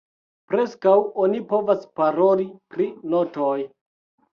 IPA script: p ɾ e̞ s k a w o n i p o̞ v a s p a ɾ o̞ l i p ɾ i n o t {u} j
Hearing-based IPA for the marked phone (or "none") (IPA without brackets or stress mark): o